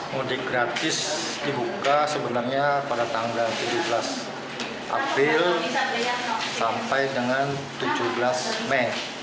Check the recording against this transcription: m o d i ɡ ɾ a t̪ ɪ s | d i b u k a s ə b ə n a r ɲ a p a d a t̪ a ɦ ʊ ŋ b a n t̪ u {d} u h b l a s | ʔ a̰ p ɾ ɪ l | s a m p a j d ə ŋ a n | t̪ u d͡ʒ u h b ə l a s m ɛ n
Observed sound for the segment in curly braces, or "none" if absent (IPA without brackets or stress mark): d͡ʒ